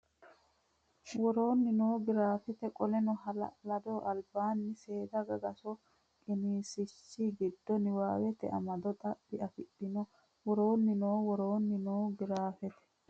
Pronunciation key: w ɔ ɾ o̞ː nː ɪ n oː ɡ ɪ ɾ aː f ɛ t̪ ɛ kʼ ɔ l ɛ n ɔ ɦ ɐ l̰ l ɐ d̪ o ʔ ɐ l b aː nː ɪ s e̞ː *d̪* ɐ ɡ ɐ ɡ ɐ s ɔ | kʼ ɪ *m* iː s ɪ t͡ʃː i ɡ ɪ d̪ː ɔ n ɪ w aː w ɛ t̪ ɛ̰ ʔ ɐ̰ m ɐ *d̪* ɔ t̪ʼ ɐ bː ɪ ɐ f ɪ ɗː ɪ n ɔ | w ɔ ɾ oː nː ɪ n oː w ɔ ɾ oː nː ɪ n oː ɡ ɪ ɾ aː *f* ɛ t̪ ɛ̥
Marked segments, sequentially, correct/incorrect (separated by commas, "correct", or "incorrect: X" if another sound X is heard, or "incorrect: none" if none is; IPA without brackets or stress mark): correct, incorrect: n, correct, correct